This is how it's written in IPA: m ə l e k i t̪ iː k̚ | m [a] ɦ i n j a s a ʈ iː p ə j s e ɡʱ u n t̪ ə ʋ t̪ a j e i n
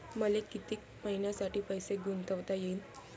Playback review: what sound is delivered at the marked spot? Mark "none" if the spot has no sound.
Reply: ə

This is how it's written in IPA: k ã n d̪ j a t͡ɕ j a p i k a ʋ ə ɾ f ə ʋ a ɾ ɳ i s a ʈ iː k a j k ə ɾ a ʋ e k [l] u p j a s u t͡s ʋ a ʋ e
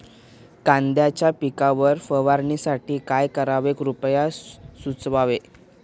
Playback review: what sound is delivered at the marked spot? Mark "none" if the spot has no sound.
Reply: ɾ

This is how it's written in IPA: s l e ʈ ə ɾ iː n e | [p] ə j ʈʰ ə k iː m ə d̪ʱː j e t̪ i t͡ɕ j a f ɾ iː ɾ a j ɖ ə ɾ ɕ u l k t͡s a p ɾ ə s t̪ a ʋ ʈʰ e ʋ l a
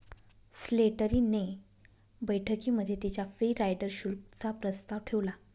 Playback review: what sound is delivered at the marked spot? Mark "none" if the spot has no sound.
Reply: b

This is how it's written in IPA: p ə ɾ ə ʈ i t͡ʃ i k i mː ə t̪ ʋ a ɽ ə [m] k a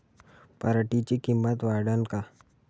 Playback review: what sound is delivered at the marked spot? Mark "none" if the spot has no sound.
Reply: n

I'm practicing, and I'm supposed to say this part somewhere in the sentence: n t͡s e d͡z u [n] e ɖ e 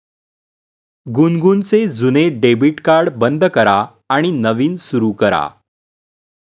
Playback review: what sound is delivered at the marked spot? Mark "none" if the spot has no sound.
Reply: n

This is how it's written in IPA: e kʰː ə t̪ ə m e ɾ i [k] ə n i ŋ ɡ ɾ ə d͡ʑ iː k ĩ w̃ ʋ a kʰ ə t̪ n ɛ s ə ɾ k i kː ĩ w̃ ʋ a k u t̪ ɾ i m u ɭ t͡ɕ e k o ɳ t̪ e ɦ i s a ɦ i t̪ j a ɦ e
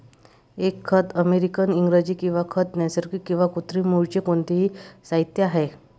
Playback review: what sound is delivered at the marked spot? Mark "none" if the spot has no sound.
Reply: k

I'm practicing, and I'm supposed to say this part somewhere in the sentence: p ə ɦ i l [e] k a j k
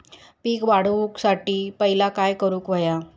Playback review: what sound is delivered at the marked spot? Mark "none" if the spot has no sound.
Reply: a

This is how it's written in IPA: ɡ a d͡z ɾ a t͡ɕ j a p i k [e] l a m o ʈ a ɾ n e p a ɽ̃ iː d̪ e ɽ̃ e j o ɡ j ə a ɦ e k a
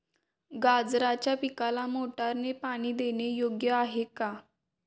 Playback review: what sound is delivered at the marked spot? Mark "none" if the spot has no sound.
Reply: a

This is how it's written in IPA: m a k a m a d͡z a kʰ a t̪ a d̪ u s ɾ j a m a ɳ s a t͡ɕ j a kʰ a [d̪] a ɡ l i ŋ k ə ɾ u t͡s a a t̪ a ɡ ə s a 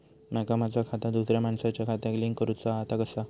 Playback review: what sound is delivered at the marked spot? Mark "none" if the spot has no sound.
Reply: t̪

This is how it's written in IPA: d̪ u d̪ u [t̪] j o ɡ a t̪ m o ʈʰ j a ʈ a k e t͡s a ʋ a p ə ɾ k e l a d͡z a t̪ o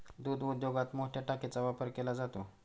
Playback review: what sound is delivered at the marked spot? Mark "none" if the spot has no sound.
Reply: d̪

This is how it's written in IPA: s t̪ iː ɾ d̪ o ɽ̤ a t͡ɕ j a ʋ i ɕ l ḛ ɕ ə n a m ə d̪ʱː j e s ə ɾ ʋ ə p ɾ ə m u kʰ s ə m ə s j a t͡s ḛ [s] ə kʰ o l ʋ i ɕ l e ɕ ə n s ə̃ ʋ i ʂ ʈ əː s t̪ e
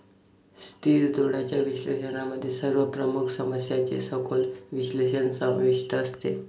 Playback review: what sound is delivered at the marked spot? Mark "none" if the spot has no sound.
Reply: s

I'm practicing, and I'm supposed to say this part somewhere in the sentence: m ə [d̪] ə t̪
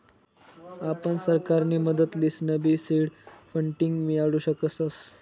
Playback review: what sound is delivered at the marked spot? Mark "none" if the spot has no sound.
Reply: d̪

